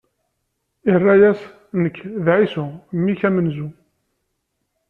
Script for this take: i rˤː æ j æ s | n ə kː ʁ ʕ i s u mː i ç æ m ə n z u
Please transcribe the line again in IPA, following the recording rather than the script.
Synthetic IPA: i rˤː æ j æ s | n ə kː ð ʕ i s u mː i ç æ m ə n z u